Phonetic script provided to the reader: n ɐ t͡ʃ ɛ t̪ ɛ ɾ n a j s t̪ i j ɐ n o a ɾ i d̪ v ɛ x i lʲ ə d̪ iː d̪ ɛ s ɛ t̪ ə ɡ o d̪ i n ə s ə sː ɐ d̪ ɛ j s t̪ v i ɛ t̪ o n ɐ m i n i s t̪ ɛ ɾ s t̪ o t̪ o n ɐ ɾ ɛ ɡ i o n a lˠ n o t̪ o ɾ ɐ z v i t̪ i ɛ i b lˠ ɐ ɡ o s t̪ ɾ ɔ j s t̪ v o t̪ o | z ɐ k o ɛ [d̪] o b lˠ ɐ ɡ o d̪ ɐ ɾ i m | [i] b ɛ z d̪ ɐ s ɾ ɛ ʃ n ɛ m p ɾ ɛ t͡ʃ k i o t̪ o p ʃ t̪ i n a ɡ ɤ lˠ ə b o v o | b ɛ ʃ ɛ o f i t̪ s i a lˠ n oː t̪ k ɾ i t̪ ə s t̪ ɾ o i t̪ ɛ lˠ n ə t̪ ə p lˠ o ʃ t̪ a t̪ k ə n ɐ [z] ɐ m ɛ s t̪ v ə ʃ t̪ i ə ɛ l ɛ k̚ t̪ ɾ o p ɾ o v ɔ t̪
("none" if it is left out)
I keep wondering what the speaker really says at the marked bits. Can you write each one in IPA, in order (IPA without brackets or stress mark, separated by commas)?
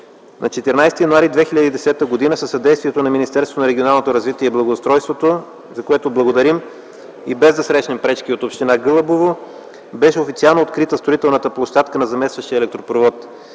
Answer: t̪, i, z